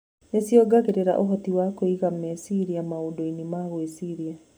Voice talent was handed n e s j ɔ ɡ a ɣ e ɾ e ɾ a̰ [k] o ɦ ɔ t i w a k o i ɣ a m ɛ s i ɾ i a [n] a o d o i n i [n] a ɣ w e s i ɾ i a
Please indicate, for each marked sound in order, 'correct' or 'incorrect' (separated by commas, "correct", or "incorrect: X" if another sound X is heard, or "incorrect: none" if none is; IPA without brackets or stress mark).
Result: incorrect: ʔ, incorrect: m, incorrect: m